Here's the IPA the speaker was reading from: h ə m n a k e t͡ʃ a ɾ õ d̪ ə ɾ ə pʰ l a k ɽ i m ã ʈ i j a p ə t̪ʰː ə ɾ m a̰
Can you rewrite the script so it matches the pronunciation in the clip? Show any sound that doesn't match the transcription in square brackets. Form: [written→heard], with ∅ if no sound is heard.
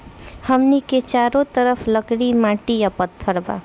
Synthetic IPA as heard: h ə m n [a→i] k e t͡ʃ a ɾ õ [d̪→t̪] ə ɾ ə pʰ l [a→ə] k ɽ i m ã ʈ i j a p ə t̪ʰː ə ɾ [m→b] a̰